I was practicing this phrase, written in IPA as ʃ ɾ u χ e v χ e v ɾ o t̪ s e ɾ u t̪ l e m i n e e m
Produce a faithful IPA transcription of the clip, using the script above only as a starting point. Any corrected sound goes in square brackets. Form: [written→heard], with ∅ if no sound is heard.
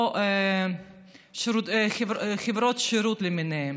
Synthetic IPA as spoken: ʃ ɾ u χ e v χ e v ɾ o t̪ [s→ʃ] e ɾ u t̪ l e m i n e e m